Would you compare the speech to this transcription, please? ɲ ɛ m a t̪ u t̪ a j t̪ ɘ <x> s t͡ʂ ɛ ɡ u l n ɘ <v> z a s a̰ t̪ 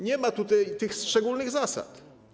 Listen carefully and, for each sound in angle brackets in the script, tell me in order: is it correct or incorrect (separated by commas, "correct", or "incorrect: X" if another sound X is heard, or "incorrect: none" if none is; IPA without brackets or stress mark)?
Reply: correct, incorrect: ɣ